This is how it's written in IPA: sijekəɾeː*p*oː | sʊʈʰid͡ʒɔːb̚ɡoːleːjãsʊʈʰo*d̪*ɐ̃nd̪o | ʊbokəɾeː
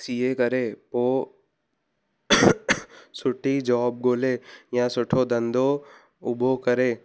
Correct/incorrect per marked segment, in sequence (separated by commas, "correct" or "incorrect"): correct, correct